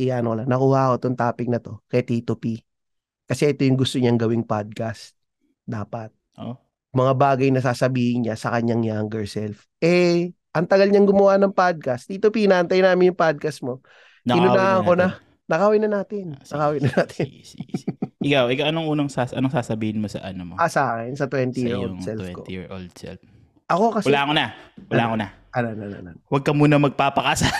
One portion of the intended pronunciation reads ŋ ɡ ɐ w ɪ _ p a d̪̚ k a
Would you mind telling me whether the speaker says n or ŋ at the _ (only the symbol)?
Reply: ŋ